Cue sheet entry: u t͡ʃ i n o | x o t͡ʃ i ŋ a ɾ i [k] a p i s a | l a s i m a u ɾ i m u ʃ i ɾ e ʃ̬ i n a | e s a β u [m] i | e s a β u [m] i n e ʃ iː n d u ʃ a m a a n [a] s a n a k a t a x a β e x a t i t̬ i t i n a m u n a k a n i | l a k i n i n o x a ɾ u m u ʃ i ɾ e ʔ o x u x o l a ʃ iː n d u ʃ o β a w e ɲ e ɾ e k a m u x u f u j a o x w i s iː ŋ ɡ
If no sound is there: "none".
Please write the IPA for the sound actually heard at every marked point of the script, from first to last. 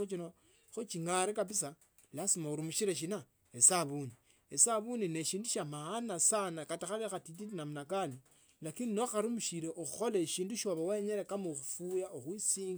k, n, n, a

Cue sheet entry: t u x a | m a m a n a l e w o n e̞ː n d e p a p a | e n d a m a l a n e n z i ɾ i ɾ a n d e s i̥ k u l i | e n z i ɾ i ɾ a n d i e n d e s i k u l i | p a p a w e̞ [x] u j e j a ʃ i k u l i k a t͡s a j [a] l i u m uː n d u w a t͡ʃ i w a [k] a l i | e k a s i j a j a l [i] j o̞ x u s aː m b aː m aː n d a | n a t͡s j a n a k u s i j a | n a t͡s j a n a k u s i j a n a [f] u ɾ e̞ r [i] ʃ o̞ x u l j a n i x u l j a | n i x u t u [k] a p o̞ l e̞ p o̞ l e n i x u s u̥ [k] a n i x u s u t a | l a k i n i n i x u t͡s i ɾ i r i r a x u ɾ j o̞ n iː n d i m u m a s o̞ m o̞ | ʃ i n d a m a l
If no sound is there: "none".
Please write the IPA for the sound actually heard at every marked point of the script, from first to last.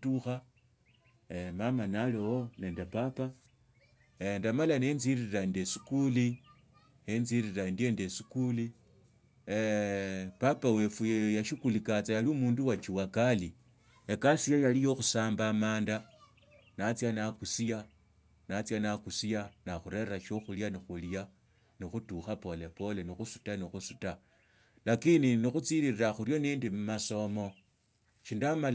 f, a, k, i, x, a, x, t

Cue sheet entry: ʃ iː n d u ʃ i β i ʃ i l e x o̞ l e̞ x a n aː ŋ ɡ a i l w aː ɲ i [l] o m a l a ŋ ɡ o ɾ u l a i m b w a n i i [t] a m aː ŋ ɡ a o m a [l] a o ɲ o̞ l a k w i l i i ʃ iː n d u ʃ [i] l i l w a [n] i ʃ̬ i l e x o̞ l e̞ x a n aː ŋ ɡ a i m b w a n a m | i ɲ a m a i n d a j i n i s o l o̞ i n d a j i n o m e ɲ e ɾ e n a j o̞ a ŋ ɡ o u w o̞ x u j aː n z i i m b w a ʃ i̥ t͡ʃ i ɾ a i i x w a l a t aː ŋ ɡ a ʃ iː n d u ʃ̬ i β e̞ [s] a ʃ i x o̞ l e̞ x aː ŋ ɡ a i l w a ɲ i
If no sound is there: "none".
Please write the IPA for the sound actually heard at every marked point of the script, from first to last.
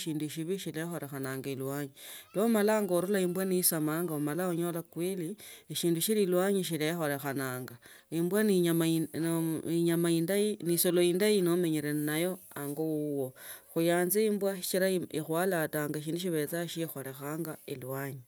l, s, l, i, ɲ, t͡s

